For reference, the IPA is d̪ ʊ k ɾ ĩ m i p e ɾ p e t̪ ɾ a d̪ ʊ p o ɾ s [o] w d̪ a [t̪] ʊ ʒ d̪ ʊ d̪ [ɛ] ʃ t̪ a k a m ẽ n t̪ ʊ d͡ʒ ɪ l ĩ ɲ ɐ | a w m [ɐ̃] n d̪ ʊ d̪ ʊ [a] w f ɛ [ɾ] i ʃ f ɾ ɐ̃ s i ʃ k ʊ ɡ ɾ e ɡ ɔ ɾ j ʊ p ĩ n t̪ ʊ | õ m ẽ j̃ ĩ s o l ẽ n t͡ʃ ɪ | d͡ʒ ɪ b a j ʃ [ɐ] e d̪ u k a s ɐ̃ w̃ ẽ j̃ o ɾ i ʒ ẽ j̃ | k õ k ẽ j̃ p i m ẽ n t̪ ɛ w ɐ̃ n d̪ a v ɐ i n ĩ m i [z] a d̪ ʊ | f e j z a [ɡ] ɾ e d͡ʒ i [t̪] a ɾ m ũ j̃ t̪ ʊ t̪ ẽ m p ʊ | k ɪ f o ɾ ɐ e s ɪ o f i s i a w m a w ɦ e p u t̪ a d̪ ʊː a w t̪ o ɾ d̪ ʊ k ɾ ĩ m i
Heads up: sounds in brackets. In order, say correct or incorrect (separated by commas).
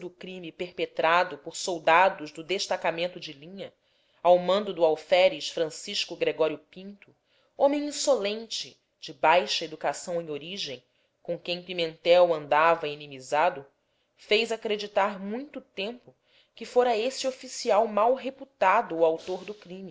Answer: correct, incorrect, incorrect, correct, correct, correct, correct, correct, incorrect, correct